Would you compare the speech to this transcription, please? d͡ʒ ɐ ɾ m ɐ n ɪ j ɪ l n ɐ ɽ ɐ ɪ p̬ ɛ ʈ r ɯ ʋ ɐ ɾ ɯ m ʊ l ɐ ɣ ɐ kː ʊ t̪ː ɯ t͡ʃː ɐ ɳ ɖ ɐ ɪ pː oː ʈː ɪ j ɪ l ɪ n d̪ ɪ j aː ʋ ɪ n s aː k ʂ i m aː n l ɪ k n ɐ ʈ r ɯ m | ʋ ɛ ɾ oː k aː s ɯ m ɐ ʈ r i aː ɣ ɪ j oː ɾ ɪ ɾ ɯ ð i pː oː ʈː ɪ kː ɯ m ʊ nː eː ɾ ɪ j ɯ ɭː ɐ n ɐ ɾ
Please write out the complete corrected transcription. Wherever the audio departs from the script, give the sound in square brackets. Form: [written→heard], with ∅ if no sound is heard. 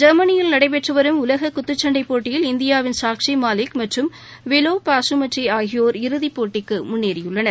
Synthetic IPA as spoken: d͡ʒ ɐ ɾ m ɐ n ɪ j ɪ l n ɐ ɽ ɐ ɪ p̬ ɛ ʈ r ɯ ʋ ɐ ɾ ɯ m ʊ l ɐ ɣ ɐ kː ʊ t̪ː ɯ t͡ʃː ɐ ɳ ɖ ɐ ɪ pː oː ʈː ɪ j ɪ l ɪ n d̪ ɪ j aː ʋ ɪ n s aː k ʂ i m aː [n→∅] l ɪ k [n→m] ɐ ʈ r ɯ m | ʋ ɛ [ɾ→l] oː [k→p] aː s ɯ m ɐ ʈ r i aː ɣ ɪ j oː ɾ ɪ ɾ ɯ ð i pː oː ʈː ɪ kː ɯ m ʊ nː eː ɾ ɪ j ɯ ɭː ɐ n ɐ ɾ